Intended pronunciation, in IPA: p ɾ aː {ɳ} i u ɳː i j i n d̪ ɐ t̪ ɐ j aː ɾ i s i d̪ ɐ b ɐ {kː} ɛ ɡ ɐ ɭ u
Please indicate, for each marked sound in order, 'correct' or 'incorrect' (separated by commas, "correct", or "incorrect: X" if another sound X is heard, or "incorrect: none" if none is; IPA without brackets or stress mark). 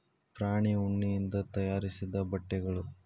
correct, incorrect: ʈː